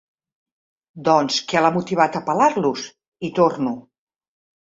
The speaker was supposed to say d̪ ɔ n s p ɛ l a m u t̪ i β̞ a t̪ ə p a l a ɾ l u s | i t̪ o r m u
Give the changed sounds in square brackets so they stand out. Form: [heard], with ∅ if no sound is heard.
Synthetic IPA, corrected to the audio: d̪ ɔ n s [k] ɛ l a m u t̪ i β̞ a t̪ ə p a l a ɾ l u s | i t̪ o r [n] u